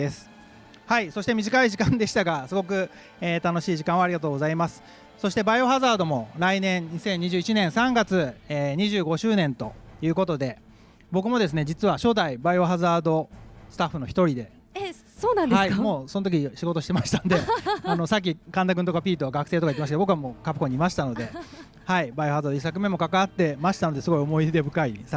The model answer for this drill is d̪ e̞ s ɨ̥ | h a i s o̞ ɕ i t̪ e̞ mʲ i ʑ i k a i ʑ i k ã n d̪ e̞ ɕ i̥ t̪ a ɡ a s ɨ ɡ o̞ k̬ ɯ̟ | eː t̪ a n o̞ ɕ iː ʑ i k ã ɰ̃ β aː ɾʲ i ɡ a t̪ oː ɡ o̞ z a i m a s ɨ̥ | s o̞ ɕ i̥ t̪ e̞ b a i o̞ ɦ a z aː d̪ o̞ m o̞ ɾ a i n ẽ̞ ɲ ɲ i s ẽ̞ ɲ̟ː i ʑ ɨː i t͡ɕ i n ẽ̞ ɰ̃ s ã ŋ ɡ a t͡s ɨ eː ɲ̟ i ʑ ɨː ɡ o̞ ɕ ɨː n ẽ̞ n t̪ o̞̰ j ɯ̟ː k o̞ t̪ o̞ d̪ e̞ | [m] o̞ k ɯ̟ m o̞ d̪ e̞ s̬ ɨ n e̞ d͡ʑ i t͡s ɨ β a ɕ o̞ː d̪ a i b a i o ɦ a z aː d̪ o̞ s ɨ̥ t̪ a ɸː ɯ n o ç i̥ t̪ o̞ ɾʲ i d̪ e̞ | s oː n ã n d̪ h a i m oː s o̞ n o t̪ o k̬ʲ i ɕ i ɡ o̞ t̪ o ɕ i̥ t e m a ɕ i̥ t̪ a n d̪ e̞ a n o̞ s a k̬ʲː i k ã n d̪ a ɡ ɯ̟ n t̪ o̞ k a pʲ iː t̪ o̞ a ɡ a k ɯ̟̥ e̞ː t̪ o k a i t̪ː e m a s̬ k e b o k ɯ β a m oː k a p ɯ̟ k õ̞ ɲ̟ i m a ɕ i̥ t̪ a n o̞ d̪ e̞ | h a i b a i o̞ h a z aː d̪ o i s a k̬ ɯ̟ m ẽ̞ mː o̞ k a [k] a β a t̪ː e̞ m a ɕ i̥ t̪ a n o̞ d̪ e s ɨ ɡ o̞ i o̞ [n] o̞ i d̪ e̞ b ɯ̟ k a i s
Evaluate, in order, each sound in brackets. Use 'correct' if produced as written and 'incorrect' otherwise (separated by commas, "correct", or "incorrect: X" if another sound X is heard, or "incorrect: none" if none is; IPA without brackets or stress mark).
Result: incorrect: b, correct, incorrect: m